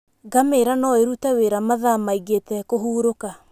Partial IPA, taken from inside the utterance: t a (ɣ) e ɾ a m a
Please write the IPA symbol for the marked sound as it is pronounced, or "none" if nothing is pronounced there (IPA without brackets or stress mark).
w